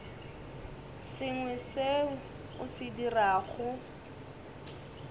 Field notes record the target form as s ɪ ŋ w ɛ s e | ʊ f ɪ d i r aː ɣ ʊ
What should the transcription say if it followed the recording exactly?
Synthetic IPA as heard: s ɪ ŋ w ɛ s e | ʊ s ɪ d i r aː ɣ ʊ

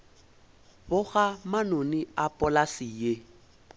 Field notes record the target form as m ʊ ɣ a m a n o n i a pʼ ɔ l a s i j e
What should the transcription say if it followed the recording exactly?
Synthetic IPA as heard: b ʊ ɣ a m a n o n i a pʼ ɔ l a s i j e

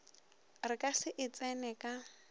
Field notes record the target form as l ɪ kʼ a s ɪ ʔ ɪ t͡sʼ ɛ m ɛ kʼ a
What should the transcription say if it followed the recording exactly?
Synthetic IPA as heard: r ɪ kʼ a s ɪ ʔ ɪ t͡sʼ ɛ n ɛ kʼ a

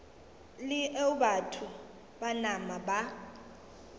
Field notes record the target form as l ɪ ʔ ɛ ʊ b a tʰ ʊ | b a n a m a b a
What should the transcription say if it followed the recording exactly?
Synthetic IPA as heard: l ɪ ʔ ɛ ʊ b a tʰ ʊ | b a n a m a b a

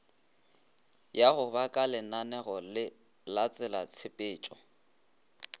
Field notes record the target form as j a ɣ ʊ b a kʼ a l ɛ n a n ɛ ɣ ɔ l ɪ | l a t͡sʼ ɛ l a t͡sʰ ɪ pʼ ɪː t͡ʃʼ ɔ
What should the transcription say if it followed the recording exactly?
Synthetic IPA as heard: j a ɣ ʊ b a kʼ a l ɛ n a n ɛ ɣ ɔ l ɪ | l a t͡sʼ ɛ l a t͡sʰ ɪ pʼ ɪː t͡ʃʼ ɔ

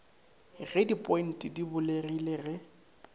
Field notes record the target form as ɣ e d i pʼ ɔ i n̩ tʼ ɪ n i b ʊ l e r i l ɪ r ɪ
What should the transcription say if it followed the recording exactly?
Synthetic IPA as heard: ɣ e d i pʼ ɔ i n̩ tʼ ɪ d i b ʊ l e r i l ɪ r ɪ

